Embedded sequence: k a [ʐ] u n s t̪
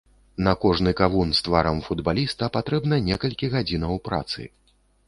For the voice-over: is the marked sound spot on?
no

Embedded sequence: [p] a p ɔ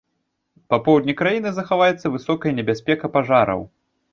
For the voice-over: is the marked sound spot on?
yes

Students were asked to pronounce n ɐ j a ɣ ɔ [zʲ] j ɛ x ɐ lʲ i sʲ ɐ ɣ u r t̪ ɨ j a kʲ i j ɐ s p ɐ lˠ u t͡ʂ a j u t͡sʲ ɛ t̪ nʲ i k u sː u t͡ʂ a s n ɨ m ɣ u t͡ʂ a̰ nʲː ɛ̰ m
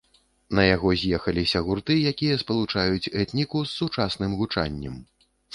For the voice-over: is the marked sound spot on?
yes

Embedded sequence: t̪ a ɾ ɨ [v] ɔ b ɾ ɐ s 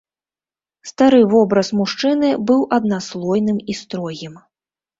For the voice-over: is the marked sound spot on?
yes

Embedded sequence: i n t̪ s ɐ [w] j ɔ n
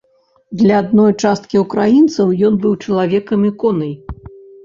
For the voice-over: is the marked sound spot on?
yes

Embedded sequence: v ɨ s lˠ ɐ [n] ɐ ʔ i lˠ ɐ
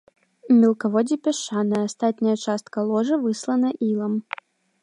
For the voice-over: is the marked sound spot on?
yes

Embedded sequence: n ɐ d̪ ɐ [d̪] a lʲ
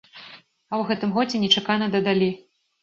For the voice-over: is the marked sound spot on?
yes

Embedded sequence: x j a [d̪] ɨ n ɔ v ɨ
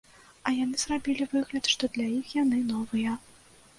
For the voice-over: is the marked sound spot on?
no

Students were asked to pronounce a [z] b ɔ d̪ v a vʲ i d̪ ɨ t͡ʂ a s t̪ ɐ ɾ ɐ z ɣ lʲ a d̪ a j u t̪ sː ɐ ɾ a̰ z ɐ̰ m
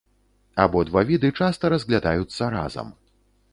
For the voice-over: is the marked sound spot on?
no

